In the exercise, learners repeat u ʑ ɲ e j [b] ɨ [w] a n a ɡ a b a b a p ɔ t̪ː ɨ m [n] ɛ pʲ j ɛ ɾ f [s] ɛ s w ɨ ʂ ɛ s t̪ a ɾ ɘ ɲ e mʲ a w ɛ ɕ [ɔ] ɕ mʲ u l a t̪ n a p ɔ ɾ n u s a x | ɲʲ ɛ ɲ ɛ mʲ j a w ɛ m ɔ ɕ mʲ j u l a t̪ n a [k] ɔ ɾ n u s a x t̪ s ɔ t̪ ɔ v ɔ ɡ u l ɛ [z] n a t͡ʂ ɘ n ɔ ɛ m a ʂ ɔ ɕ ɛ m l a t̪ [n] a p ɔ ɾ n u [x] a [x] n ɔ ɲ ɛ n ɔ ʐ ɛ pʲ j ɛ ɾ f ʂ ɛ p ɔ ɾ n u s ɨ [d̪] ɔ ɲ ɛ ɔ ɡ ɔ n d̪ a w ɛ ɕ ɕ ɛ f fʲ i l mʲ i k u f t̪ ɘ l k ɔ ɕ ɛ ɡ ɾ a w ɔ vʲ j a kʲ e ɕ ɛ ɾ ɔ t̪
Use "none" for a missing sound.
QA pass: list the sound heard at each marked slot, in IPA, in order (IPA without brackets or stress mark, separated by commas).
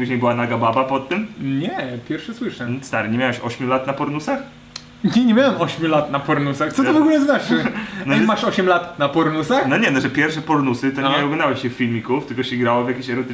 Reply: b, w, ɲ, ʂ, ɔ, p, z, n, s, x, t̪